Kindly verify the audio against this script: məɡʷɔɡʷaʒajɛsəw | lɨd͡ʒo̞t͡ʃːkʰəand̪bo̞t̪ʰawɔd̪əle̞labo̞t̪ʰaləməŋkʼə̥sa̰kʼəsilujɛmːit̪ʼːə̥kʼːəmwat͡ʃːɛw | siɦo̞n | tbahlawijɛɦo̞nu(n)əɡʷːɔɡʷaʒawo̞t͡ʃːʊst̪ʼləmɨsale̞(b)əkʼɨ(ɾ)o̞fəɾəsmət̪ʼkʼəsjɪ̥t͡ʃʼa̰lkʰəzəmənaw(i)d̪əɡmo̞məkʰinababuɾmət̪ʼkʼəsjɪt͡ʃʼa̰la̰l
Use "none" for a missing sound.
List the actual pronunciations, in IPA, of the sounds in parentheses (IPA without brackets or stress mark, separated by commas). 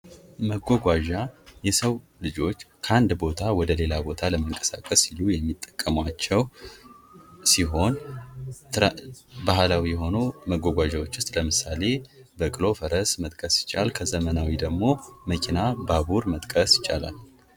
m, b, l, i